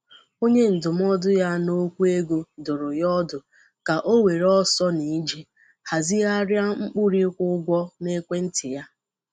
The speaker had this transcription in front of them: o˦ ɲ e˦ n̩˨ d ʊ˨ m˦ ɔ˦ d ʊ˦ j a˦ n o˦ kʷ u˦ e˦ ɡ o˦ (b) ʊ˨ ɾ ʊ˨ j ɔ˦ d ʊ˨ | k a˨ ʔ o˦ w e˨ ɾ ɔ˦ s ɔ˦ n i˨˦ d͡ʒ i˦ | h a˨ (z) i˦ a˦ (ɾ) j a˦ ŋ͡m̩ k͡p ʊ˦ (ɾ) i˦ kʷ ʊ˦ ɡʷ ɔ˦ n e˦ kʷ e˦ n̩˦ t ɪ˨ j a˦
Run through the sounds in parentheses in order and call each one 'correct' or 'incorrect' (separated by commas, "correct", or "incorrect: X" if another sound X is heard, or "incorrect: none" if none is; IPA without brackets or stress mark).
incorrect: d, correct, correct, correct